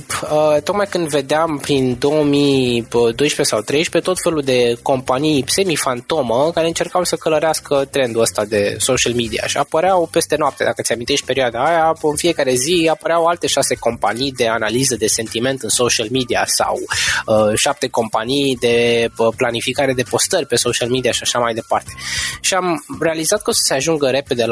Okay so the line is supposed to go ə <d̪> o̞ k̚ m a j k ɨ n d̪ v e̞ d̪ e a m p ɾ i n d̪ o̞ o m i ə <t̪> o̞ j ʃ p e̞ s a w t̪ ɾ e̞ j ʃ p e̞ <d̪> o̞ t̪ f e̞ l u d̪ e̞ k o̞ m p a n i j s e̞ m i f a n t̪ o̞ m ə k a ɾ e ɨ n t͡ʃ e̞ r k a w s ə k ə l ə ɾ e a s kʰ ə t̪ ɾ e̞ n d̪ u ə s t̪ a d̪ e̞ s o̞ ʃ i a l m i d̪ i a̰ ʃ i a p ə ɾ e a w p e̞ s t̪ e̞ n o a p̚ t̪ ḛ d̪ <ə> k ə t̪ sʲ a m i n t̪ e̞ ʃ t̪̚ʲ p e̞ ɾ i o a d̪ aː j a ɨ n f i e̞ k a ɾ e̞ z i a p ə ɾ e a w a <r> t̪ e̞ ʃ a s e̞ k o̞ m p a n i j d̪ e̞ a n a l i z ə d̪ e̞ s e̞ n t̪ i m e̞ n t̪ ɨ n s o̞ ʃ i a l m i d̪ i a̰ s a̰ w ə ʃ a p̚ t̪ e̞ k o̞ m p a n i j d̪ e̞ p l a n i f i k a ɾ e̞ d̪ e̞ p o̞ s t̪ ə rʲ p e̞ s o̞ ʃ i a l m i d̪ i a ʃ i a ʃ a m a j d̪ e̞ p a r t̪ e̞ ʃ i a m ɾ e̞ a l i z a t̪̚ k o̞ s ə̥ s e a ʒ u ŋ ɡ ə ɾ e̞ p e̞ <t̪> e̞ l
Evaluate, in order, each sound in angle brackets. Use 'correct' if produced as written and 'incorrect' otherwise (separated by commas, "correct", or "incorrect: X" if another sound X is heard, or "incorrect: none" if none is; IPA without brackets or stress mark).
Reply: incorrect: t̪, incorrect: d̪, incorrect: t̪, incorrect: a, incorrect: l, incorrect: d̪